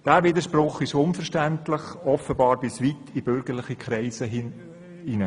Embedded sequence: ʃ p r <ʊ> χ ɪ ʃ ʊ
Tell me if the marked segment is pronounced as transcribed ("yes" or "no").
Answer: yes